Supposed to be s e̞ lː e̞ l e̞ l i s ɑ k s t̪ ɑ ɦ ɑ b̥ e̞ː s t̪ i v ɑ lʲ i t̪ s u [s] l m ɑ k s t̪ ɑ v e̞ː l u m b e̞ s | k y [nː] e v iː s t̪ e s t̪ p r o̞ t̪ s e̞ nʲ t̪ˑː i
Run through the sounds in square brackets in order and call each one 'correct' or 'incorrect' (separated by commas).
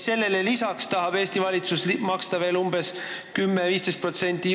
correct, incorrect